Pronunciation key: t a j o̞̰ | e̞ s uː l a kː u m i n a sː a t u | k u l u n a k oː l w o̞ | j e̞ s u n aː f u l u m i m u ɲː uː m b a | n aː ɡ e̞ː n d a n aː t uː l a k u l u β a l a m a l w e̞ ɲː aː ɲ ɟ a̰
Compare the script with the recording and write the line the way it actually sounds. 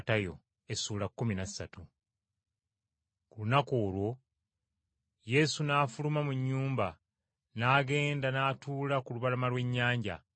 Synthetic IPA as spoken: t a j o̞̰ | e̞ s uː l a kː u m i n a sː a t u | k u l u n a k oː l w o̞ | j e̞ s u n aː f u l u m a m u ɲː uː m b a | n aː ɡ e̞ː n d a n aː t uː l a k u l u β a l a m a l w e̞ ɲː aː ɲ ɟ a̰

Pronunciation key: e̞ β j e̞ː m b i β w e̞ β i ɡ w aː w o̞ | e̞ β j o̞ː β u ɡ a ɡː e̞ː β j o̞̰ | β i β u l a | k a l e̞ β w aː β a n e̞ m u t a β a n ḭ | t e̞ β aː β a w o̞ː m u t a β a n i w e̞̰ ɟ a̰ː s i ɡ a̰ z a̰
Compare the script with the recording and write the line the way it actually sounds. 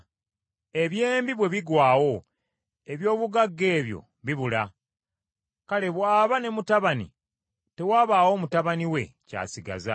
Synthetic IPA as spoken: e̞ β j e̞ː m b i β w e̞ β i ɡ w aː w o̞ | e̞ β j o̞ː β u ɡ a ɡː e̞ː β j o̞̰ | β i β u l a | k a l e̞ β w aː β a n e̞ m u t a β a n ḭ | t e̞ w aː β a w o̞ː m u t a β a n i w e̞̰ c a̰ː s i ɡ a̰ z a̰

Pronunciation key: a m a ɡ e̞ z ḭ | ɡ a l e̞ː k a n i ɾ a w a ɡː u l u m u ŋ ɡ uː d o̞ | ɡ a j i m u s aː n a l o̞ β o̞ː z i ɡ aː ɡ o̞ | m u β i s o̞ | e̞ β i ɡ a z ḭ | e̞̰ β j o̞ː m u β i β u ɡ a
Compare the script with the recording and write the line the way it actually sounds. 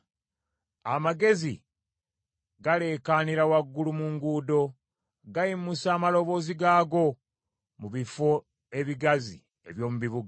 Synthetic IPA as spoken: a m a ɡ e̞ z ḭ | ɡ a l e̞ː k a n i ɾ a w a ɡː u l u m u ŋ ɡ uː d o̞ | ɡ a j i m u s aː m a l o̞ β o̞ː z i ɡ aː ɡ o̞ | m u β i f o̞ | e̞ β i ɡ a z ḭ | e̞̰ β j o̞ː m u β i β u ɡ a

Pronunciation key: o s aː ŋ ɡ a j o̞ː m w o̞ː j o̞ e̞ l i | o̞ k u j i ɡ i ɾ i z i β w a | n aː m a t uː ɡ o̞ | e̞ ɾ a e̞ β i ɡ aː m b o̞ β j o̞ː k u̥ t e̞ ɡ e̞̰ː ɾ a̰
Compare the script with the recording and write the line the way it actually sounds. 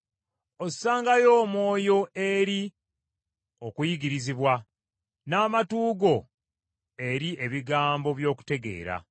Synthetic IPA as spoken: o s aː ŋ ɡ a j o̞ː m w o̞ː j o̞ e̞ ɾ i | o̞ k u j i ɡ i ɾ i z i β w a | n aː m a t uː ɡ o̞ | e̞ ɾ i e̞ β i ɡ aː m b o̞ β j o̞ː k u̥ t e̞ ɡ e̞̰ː ɾ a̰

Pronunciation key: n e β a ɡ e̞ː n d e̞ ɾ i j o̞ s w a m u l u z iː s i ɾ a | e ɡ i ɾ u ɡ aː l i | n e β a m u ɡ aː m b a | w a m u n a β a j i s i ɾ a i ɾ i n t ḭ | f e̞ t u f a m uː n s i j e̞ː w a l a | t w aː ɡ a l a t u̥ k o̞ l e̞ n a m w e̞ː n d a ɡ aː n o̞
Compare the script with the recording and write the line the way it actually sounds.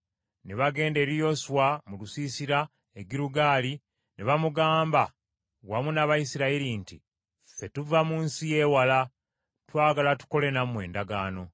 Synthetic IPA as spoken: n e β a ɡ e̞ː n d e̞ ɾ i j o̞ s w a m u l u s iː s i ɾ a | e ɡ i ɾ u ɡ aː l i | n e β a m u ɡ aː m b a | w a m u n a β a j i s i ɾ a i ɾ i n t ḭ | f e̞ t u v a m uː n s i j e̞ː w a l a | t w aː ɡ a l a t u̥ k o̞ l e̞ n a m w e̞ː n d a ɡ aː n o̞

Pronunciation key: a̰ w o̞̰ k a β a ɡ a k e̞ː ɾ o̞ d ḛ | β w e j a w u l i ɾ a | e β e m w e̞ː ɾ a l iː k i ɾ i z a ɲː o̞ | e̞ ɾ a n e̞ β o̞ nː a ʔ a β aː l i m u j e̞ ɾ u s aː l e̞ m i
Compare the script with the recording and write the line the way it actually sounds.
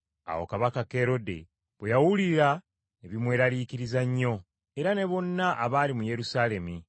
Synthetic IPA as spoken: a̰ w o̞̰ k a β a k a k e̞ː ɾ o̞ d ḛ | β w e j a w u l i ɾ a | e β i m w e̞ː ɾ a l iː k i ɾ i z a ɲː o̞ | e̞ ɾ a n e̞ β o̞ nː a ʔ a β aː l i m u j e̞ ɾ u s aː l e̞ m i

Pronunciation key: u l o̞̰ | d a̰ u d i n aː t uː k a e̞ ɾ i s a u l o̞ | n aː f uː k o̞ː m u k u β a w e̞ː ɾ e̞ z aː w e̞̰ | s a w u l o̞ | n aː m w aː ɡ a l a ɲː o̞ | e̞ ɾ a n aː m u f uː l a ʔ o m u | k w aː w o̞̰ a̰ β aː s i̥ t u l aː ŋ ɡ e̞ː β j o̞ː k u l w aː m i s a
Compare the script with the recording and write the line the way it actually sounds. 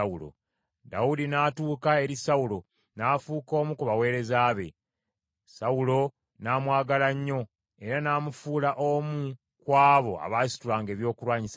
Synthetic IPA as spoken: u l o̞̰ | d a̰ u d i n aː t uː k a e̞ ɾ i s a u l o̞ | n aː f uː k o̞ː m u k u β a w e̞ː ɾ e̞ z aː β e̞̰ | s a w u l o̞ | n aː m w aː ɡ a l a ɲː o̞ | e̞ ɾ a n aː m u f uː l a ʔ o m u | k w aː β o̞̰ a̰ β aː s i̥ t u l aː ŋ ɡ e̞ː β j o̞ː k u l w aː ɲ i s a

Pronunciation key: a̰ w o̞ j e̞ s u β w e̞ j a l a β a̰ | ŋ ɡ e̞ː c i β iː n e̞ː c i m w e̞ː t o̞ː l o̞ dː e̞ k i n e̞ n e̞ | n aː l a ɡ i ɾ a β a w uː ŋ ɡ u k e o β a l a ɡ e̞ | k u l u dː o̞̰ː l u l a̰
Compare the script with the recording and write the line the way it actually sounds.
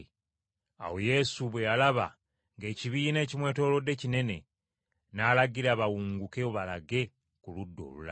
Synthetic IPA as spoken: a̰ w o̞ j e̞ s u β w e̞ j a l a β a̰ | ŋ ɡ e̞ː c i β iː n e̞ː c i m w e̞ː t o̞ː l o̞ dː e̞ c i n e̞ n e̞ | n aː l a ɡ i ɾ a β a w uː ŋ ɡ u k e o β a l a ɡ e̞ | k u l u dː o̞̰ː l u l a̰

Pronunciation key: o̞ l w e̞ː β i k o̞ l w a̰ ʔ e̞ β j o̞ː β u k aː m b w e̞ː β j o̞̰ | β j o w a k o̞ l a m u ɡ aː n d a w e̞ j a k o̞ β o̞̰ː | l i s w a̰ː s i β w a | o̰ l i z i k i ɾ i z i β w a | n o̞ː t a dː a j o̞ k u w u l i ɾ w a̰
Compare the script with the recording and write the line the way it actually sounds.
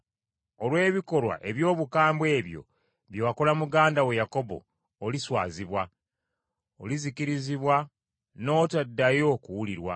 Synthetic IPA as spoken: o̞ l w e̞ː β i k o̞ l w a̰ ʔ e̞ β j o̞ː β u k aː m b w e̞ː β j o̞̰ | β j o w a k o̞ l a m u ɡ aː n d a w e̞ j a k o̞ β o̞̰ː | l i s w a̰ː z i β w a | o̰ l i z i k i ɾ i z i β w a | n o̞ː t a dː a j o̞ k u w u l i ɾ w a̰

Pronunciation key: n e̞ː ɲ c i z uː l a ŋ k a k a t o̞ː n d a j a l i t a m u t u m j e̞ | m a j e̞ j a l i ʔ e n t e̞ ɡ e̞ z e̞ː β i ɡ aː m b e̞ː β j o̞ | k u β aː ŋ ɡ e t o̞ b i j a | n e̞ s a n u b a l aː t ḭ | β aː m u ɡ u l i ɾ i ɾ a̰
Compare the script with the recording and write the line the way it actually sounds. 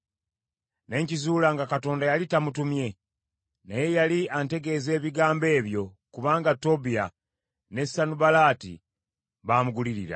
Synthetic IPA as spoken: n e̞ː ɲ c i z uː l a ŋ ɡ a k a t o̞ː n d a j a l i t a m u t u m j e̞ | n a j e̞ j a l i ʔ a n t e̞ ɡ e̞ z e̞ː β i ɡ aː m b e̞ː β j o̞ | k u β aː ŋ ɡ a t o̞ b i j a | n e̞ s a n u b a l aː t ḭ | β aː m u ɡ u l i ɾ i ɾ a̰

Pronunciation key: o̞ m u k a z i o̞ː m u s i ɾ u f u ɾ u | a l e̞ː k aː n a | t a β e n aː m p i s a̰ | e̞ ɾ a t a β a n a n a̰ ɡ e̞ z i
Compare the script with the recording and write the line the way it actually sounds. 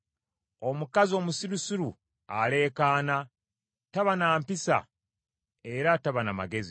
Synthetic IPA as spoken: o̞ m u k a z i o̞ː m u s i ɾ u s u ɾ u | a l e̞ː k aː n a | t a β a n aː m p i s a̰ | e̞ ɾ a t a β a n a m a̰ ɡ e̞ z i

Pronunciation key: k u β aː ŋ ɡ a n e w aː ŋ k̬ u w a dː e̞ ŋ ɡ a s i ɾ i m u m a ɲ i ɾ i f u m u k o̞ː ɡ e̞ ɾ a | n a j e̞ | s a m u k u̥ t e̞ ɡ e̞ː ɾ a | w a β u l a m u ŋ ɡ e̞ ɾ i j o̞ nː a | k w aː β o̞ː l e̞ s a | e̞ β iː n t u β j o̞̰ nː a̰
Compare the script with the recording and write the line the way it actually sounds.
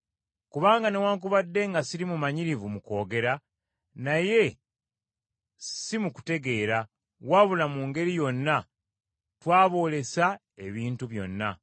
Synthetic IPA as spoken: k u β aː ŋ ɡ a n e w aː ŋ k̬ u β a dː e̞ ŋ ɡ a s i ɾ i m u m a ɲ i ɾ i v u m u k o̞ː ɡ e̞ ɾ a | n a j e̞ | s i m u k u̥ t e̞ ɡ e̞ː ɾ a | w a β u l a m u ŋ ɡ e̞ ɾ i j o̞ nː a | t w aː β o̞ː l e̞ s a | e̞ β iː n t u β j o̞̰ nː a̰

